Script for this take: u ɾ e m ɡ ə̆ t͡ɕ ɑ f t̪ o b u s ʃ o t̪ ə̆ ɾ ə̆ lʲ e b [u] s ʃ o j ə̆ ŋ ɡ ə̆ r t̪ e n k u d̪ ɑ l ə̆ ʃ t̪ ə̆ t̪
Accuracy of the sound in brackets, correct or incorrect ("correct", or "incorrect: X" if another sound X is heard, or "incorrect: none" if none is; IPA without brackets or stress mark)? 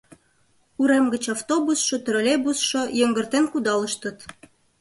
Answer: correct